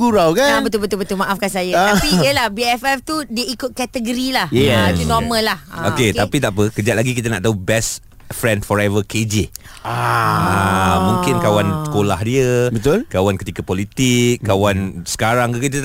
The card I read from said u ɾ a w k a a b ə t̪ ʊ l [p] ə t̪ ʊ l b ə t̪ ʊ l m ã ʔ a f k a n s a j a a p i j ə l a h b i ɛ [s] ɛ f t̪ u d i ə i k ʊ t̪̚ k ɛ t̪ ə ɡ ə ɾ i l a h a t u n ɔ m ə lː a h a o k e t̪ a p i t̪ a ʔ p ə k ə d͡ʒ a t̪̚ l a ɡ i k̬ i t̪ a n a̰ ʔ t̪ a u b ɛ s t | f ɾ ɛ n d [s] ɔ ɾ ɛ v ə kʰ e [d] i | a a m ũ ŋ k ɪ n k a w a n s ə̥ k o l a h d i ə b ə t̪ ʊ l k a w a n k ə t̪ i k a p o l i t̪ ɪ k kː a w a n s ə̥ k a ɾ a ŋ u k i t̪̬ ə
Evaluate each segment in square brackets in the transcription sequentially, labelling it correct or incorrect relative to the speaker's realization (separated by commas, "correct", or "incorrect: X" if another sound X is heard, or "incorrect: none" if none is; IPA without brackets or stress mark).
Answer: incorrect: b, incorrect: f, incorrect: f, incorrect: d͡ʒ